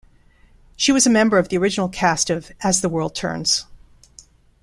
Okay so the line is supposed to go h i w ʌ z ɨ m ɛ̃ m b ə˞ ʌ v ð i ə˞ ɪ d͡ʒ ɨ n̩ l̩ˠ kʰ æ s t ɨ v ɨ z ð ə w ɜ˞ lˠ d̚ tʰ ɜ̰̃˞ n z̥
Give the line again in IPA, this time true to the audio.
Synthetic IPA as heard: ʃ i w ʌ z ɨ m ɛ̃ m b ə˞ ʌ v ð i ə˞ ɪ d͡ʒ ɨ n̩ l̩ˠ kʰ æ s t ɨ v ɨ z ð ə w ɜ˞ lˠ d̚ tʰ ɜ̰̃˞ n z̥